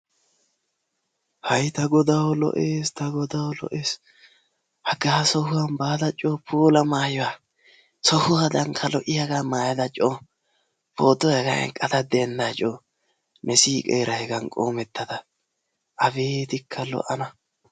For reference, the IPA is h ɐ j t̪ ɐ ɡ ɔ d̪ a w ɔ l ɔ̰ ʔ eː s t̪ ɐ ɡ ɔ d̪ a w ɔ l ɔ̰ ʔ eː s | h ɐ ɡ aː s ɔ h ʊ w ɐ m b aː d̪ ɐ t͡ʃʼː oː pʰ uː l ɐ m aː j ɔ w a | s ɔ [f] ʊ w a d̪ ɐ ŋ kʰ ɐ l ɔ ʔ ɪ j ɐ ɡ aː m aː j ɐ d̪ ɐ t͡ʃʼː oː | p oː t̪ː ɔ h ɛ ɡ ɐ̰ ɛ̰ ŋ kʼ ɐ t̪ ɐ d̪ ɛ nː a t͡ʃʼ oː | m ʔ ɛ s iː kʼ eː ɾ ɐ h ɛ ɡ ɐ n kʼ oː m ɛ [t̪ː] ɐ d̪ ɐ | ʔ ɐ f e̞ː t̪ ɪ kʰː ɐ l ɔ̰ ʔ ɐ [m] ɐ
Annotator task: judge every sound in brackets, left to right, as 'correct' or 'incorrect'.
incorrect, correct, incorrect

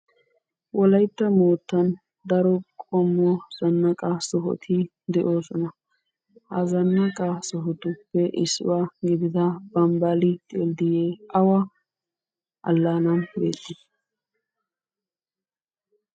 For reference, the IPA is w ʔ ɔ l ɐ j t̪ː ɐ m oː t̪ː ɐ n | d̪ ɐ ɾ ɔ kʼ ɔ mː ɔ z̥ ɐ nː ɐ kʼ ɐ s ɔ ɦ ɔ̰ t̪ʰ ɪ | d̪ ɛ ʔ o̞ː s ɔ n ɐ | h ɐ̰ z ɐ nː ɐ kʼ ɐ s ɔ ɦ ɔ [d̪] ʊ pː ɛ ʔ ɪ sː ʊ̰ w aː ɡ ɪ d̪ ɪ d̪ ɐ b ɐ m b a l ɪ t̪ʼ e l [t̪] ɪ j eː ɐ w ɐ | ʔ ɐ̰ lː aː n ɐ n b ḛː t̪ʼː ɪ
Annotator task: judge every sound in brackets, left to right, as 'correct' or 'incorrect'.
incorrect, incorrect

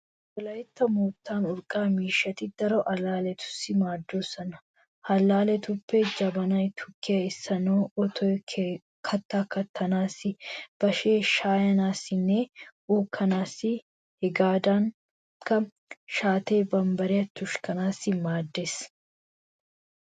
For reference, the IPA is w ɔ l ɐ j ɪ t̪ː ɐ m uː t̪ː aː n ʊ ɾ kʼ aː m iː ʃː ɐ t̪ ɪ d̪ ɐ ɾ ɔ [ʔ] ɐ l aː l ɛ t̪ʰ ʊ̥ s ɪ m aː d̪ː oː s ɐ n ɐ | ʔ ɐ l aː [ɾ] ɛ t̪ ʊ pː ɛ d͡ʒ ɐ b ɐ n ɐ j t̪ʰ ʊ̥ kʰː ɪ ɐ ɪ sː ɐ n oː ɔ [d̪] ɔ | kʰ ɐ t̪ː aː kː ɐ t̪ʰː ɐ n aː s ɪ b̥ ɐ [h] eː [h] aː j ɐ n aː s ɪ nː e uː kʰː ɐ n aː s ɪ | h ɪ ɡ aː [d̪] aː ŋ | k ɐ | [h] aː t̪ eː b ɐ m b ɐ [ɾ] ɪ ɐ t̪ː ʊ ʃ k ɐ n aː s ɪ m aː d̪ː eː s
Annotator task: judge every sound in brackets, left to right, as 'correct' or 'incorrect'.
correct, incorrect, incorrect, incorrect, incorrect, correct, incorrect, correct

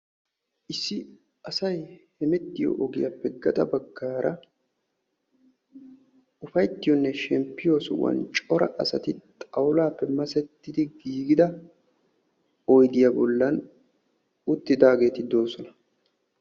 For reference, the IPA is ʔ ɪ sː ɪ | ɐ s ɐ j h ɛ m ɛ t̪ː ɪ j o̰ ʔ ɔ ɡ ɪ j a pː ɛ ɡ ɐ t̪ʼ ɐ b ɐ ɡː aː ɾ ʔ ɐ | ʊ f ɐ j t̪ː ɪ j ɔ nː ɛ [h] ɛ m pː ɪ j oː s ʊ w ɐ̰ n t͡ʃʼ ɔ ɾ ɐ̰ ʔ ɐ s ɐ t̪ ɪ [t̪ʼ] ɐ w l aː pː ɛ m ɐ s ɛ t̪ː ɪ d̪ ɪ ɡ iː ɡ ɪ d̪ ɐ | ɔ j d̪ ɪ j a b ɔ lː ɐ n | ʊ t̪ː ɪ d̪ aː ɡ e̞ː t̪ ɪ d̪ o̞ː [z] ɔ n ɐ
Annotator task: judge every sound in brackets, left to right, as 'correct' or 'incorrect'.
incorrect, correct, incorrect

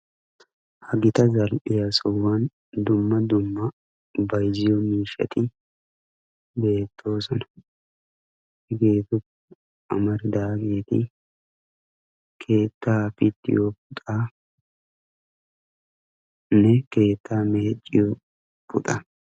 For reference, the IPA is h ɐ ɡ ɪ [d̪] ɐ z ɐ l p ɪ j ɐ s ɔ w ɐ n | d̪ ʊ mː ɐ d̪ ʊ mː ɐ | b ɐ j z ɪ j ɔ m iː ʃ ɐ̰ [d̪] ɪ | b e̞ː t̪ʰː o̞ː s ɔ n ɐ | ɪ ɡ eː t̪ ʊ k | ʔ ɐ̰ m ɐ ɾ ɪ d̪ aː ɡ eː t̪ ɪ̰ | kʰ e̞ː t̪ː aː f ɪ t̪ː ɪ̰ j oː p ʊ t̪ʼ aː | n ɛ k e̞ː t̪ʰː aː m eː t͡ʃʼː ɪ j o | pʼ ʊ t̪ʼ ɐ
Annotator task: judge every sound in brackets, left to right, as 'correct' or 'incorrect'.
incorrect, incorrect

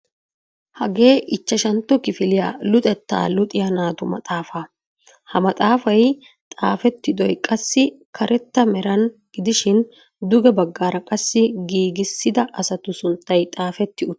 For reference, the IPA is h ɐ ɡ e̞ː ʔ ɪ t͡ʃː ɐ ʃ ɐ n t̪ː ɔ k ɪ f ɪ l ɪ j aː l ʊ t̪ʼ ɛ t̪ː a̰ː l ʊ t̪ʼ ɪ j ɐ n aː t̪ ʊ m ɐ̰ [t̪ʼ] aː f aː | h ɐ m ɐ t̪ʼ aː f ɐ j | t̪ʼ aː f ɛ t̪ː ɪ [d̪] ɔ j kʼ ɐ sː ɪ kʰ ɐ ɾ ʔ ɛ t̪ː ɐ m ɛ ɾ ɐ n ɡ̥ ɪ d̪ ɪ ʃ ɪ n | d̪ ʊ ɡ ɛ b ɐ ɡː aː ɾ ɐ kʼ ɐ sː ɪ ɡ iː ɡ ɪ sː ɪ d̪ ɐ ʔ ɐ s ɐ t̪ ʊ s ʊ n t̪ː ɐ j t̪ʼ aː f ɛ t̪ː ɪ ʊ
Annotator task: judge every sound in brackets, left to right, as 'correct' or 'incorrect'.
correct, correct

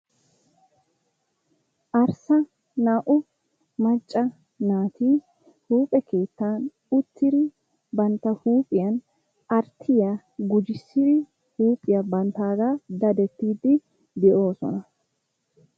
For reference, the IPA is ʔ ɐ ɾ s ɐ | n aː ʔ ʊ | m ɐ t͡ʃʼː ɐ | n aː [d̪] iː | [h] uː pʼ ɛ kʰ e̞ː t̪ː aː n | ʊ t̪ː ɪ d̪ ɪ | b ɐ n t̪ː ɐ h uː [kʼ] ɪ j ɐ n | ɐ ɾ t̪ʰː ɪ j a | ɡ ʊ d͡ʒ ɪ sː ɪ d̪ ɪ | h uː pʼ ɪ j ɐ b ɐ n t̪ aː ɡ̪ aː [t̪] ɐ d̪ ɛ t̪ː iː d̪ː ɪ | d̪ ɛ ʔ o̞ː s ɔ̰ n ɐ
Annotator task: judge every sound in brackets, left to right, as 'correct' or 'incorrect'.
incorrect, correct, incorrect, incorrect

